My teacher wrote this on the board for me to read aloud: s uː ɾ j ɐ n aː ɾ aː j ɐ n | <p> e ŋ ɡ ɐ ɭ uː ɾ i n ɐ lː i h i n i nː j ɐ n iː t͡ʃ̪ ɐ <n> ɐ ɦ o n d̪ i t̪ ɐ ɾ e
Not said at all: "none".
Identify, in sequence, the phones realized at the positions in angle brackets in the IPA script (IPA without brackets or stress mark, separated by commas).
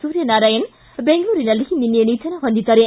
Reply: b, n